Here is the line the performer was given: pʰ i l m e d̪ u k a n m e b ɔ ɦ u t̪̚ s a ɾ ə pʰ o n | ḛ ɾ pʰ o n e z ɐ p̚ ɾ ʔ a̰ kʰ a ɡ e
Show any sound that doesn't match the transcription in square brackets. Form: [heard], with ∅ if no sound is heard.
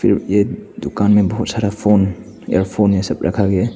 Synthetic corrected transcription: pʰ i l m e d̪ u k a n m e b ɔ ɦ u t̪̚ s a ɾ [a] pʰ o n | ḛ ɾ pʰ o n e [s] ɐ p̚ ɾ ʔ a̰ kʰ a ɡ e